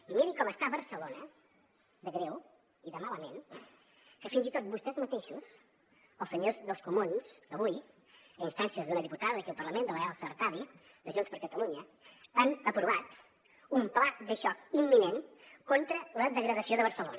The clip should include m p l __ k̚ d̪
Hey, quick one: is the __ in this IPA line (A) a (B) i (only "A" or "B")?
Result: A